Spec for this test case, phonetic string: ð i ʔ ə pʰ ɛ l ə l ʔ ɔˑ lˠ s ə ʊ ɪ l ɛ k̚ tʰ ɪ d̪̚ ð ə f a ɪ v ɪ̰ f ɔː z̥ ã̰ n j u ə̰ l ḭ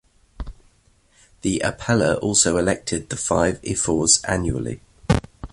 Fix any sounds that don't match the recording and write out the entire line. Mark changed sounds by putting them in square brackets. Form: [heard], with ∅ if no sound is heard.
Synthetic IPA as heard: ð i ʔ ə pʰ ɛ l ə [ɹ] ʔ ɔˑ lˠ s ə ʊ ɪ l ɛ k̚ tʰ ɪ d̪̚ ð ə f a ɪ v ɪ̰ f ɔː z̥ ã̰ n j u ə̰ l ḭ